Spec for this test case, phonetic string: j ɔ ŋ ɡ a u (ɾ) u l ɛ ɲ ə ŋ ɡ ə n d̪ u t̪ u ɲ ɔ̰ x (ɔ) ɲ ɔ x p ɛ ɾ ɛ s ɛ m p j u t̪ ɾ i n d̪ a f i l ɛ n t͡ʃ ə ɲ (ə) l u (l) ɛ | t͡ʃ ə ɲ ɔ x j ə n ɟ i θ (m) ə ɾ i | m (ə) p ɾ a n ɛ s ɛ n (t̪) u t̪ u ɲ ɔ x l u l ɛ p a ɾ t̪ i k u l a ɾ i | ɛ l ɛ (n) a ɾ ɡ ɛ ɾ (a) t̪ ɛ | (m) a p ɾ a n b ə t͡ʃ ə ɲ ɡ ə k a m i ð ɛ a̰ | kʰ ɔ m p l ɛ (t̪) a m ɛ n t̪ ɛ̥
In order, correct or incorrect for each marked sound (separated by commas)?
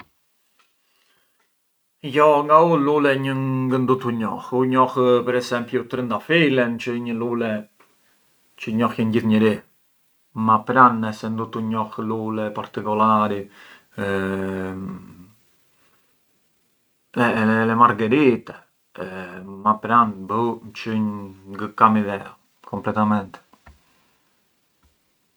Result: incorrect, incorrect, correct, correct, incorrect, incorrect, incorrect, incorrect, incorrect, correct, correct